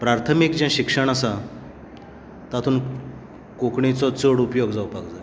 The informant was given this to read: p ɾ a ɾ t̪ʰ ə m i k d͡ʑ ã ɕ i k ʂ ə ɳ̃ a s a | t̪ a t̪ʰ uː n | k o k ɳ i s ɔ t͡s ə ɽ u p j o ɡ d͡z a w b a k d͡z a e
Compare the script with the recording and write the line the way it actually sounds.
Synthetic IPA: p ɾ a ɾ t̪ʰ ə m i k d͡ʑ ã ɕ i k ʂ ə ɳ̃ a s a | t̪ a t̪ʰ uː n | k o k ɳ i t͡s ɔ t͡s ə ɽ u p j o ɡ d͡z a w p a k d͡z a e